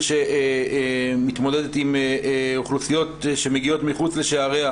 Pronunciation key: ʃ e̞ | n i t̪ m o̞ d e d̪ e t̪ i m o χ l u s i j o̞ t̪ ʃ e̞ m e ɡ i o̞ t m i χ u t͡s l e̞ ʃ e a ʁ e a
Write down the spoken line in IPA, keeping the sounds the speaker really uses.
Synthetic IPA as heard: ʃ e̞ | m i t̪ m o̞ d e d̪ e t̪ i m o χ l u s i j o̞ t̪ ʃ e̞ m e ɡ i o̞ t m i χ u t͡s l e̞ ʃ e a ʁ e a